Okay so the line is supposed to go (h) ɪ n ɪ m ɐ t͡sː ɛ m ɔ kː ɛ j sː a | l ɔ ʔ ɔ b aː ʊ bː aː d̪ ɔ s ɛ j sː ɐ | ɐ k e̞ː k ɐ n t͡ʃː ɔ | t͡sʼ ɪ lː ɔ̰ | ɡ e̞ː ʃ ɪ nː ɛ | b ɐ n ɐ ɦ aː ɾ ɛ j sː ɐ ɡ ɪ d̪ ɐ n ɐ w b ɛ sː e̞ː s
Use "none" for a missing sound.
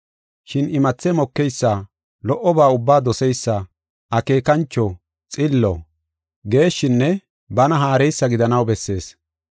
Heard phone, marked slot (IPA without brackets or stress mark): ʃ